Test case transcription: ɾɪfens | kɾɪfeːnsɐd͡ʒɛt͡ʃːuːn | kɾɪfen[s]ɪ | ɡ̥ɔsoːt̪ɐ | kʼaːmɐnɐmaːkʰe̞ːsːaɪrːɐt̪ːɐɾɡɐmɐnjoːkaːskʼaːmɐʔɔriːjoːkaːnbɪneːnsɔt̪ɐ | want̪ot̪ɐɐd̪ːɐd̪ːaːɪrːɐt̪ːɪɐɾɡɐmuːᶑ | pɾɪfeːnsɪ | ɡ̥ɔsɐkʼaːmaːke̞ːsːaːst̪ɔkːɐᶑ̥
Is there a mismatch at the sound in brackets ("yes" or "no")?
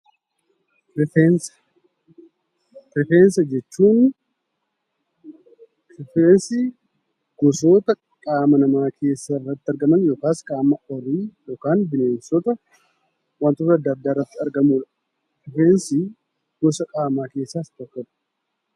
no